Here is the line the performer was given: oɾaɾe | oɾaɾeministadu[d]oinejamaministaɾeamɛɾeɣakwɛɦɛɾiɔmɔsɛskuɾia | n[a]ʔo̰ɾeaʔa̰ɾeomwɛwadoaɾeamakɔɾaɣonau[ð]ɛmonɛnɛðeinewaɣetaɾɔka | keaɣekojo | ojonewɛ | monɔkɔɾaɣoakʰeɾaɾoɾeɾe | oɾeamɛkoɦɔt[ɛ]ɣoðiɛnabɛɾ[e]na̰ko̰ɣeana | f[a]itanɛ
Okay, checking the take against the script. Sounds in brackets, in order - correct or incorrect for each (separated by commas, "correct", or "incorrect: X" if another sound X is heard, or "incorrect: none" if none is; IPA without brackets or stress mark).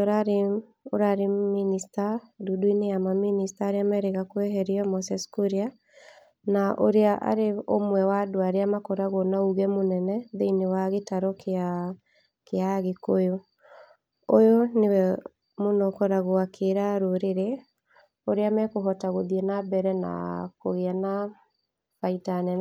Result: correct, correct, incorrect: ɣ, incorrect: a, incorrect: ɛ, correct